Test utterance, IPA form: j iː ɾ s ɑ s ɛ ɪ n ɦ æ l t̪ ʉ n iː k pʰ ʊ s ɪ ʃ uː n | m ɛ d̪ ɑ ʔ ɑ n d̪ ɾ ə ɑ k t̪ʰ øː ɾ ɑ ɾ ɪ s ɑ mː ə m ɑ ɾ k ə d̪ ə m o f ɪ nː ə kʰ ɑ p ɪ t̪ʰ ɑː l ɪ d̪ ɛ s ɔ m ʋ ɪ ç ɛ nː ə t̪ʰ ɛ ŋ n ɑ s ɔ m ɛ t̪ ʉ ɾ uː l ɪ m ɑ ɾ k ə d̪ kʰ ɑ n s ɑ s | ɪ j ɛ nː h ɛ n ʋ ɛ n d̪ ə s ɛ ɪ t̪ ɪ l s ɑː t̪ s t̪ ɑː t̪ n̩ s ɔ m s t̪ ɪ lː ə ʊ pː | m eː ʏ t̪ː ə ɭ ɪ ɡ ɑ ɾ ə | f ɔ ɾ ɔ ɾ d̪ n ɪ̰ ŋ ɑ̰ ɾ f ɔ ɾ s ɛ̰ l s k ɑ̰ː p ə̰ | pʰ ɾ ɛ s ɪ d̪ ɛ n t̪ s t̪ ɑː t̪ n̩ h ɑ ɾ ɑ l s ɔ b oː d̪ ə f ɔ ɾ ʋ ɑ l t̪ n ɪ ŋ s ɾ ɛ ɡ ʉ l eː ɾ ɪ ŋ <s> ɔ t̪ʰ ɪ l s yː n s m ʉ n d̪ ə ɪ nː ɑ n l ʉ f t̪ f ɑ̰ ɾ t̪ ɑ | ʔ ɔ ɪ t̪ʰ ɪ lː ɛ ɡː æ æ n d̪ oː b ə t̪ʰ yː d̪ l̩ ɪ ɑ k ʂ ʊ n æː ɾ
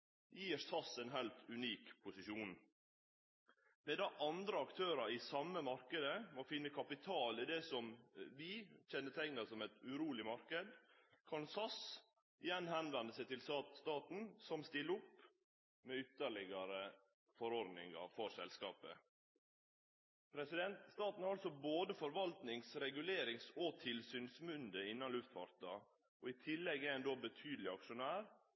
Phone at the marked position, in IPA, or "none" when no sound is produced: s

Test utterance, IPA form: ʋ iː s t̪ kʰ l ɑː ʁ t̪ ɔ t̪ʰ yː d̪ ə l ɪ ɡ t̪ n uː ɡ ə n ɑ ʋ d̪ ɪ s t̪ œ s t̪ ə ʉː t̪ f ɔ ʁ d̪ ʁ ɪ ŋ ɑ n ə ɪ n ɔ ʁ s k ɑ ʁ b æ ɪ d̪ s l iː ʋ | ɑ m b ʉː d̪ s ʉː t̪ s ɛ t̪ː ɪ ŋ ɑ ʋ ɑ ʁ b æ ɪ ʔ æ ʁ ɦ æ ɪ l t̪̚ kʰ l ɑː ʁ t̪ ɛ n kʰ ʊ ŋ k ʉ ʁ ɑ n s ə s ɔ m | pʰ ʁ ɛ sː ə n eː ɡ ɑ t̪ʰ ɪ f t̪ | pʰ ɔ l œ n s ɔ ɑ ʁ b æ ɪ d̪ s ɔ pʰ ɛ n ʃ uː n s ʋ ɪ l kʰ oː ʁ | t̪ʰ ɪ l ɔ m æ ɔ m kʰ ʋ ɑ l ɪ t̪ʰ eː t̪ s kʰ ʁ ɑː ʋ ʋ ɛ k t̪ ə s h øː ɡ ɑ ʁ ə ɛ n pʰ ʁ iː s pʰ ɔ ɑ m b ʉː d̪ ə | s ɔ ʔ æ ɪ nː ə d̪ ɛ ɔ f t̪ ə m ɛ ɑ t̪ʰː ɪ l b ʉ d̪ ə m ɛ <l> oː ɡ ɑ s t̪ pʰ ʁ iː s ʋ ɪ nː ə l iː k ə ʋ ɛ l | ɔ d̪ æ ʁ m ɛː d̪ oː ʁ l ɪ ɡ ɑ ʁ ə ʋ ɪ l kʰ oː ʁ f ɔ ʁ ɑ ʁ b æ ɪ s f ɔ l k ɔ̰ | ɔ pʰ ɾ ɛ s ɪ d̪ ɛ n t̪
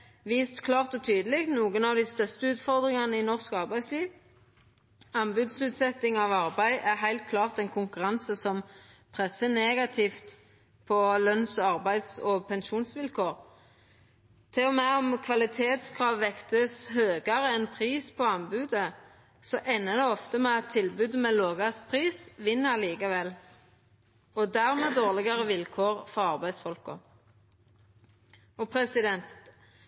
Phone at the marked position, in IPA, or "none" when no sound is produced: l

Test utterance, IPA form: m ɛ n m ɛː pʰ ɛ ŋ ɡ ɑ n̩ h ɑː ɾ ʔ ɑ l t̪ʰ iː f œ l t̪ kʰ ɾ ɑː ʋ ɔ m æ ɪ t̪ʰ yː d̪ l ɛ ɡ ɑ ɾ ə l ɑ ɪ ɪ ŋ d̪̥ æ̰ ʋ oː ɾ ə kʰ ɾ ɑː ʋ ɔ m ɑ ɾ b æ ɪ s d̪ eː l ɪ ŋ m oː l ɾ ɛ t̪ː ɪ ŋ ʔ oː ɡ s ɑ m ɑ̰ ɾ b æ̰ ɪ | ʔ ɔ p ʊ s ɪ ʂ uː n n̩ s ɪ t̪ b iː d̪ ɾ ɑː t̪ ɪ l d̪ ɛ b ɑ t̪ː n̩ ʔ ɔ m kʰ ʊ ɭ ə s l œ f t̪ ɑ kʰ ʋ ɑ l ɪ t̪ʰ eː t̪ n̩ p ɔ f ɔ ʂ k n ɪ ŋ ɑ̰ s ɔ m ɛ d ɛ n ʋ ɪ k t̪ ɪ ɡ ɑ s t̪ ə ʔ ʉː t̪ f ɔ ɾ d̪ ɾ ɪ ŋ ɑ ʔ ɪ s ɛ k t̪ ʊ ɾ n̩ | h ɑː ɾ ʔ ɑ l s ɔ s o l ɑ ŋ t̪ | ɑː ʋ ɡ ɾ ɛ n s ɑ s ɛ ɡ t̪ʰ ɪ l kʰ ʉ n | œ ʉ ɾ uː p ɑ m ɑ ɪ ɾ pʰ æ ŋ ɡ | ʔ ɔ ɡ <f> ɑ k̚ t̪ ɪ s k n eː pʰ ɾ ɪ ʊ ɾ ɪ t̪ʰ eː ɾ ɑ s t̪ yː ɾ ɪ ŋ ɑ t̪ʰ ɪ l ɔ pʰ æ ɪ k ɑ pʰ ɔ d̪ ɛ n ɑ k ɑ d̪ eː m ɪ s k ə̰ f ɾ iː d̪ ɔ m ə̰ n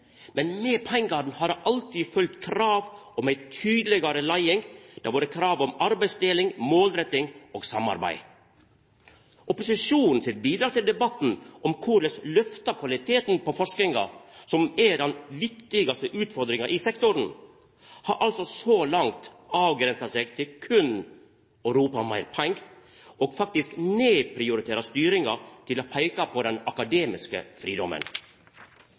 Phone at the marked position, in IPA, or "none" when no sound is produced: f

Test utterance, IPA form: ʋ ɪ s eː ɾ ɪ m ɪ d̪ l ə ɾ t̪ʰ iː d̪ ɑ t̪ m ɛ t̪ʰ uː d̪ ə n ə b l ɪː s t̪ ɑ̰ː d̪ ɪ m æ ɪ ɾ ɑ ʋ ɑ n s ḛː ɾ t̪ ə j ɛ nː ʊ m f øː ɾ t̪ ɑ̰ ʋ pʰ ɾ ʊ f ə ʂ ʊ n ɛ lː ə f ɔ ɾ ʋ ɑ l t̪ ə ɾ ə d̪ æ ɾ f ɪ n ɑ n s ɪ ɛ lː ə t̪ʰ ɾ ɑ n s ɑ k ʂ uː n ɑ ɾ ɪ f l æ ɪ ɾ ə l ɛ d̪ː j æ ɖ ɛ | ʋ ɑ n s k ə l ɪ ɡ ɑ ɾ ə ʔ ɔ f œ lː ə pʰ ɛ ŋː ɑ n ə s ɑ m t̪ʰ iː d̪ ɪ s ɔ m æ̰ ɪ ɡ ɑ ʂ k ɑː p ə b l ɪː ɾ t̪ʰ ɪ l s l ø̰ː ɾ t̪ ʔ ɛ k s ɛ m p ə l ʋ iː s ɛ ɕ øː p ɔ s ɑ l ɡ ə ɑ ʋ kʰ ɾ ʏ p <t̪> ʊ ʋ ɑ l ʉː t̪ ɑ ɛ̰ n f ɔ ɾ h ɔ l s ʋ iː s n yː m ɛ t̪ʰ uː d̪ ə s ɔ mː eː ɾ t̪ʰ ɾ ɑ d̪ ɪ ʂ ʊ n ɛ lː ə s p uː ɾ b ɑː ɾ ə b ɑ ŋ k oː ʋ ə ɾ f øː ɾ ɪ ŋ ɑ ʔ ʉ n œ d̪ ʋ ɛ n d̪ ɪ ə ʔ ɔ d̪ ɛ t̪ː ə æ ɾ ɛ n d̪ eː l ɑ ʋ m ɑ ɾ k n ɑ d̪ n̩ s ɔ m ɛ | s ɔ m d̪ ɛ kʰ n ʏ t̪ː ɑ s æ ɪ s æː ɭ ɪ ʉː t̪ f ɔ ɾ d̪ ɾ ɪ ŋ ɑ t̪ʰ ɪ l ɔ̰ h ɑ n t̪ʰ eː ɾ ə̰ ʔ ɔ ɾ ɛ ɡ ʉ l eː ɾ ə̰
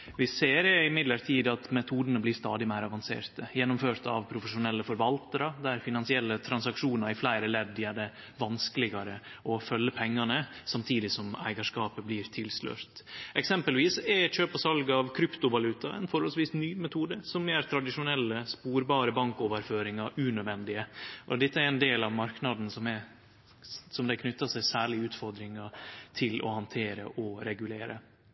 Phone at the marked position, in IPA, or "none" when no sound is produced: t̪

